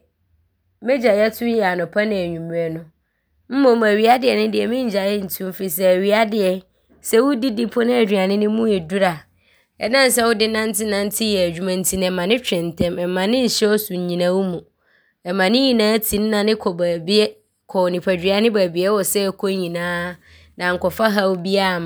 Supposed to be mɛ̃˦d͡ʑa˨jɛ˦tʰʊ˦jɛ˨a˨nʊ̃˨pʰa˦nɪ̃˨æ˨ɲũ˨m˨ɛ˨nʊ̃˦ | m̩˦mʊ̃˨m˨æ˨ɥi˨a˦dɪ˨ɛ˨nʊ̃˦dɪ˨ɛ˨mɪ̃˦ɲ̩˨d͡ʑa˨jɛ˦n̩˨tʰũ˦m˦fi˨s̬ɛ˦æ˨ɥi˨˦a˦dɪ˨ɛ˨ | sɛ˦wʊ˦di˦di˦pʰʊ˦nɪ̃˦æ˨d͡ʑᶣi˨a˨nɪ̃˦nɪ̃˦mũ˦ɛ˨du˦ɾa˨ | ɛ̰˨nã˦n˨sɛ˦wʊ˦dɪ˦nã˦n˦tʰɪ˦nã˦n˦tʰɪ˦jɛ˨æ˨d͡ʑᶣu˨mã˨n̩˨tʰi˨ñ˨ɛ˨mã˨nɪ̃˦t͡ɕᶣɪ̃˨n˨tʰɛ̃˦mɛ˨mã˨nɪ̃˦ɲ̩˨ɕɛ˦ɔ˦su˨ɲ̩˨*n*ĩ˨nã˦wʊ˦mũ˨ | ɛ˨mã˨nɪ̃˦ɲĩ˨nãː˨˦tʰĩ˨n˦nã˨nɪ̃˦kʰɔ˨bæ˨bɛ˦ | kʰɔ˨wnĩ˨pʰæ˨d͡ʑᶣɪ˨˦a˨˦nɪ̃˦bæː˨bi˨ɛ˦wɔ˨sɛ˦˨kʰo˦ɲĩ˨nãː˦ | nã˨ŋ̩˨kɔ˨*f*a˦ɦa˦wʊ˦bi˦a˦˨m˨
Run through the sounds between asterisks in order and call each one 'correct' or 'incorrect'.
incorrect: ɲ, correct

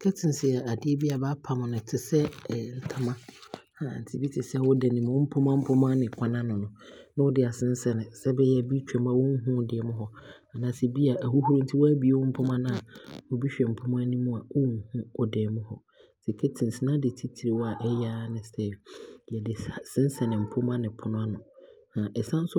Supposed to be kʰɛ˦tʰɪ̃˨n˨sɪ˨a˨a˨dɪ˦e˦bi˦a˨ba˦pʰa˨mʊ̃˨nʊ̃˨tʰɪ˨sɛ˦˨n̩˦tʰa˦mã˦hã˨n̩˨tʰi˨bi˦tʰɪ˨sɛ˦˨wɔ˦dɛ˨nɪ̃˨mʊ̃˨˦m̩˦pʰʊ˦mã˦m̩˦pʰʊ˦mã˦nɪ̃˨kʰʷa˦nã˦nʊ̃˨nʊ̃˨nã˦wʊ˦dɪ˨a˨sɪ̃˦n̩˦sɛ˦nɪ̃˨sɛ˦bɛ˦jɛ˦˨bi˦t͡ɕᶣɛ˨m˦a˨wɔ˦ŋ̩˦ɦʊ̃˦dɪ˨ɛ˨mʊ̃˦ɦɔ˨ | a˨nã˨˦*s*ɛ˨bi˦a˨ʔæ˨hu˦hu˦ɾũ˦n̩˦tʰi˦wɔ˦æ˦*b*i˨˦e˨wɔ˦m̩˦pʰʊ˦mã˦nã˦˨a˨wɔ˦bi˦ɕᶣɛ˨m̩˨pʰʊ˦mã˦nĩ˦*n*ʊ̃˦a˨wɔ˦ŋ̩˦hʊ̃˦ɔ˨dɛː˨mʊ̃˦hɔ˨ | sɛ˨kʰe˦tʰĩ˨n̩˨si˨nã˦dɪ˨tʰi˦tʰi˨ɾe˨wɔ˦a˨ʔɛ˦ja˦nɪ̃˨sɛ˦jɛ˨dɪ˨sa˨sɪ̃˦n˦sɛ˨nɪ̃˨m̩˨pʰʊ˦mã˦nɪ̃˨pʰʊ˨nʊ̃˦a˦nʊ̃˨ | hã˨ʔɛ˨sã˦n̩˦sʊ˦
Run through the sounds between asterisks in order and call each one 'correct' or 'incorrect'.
correct, correct, incorrect: m

